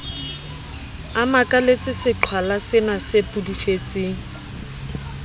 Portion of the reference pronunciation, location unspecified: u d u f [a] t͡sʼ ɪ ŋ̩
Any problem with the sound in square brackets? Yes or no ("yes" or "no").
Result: yes